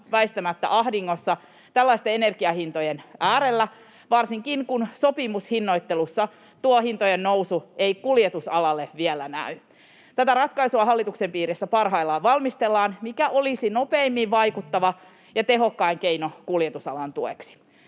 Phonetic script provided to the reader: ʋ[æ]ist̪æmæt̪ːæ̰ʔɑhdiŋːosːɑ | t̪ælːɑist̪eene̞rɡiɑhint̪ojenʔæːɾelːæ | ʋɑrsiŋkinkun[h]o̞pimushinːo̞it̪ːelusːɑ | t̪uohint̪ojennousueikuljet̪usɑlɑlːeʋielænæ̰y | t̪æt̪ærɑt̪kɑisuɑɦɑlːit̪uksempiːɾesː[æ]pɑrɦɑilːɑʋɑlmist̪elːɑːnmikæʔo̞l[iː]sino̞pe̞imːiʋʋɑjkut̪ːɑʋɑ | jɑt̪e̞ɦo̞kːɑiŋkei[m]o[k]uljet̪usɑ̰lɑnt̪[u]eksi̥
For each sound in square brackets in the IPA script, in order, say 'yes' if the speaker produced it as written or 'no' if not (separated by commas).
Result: yes, no, yes, no, no, yes, yes